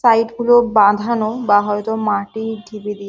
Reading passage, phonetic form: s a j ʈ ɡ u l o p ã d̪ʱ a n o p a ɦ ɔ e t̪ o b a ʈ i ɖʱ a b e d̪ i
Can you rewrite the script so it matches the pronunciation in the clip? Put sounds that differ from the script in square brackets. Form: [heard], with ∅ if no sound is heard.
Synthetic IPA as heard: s a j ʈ ɡ u l o [b] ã d̪ʱ a n o [b] a ɦ ɔ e t̪ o [m] a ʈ i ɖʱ [i] b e d̪ i